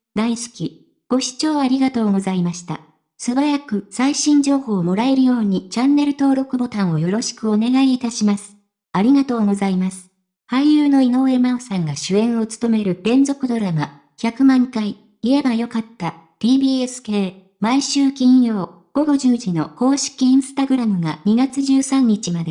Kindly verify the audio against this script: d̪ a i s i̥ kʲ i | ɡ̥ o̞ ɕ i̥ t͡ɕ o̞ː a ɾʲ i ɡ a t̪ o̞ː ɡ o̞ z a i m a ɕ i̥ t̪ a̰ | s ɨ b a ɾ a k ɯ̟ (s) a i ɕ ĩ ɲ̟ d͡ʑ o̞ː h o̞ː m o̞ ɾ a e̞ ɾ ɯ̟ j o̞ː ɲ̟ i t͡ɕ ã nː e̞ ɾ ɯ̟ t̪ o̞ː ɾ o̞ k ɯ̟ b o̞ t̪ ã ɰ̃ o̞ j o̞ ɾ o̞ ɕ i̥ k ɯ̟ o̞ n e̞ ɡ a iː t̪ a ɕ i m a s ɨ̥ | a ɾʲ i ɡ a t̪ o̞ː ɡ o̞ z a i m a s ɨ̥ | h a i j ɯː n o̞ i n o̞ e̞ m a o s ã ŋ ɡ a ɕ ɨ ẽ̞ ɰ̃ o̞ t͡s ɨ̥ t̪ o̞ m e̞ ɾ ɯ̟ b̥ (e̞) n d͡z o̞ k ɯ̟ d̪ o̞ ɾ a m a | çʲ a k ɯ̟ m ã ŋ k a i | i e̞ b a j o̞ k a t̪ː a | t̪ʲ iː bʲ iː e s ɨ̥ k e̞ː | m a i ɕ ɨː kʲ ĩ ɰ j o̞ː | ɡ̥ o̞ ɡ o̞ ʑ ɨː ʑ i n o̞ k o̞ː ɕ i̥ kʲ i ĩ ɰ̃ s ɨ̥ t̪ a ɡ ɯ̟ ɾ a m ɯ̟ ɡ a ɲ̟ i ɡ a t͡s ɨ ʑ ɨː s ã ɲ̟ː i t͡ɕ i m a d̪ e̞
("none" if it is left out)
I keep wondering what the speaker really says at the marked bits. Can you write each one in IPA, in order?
s, ẽ̞

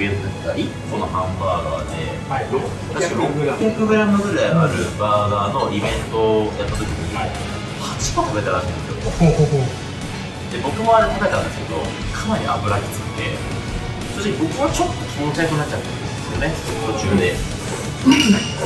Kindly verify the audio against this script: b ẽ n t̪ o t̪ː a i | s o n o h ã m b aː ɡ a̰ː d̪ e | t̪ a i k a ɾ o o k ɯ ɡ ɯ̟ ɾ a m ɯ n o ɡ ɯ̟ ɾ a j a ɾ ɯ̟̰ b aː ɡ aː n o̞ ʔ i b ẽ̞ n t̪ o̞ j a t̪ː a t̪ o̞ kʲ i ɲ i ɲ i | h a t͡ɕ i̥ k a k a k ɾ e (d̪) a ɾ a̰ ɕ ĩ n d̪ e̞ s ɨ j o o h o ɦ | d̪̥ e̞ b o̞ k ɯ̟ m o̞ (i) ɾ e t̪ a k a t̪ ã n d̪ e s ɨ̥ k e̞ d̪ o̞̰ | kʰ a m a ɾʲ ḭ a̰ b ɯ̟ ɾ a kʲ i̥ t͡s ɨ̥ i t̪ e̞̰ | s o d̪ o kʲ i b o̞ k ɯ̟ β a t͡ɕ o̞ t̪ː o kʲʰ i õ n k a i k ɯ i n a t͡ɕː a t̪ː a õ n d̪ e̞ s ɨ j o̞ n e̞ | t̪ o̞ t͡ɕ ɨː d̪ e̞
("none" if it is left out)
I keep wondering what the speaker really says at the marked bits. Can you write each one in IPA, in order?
t̪, a

